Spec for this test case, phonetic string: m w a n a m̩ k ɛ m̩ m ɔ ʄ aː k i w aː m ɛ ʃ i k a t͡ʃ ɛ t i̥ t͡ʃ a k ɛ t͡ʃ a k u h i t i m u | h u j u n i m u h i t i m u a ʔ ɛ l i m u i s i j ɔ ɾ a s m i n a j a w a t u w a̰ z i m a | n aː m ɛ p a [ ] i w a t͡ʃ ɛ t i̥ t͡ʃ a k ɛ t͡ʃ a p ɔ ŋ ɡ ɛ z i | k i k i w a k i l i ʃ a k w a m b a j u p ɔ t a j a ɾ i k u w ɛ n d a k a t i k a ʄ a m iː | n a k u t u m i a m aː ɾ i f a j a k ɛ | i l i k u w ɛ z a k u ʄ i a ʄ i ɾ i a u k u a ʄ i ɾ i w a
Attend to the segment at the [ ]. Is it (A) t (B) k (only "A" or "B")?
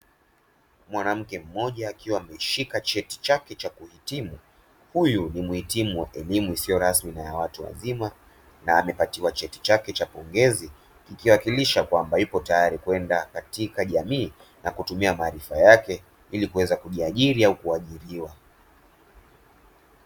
A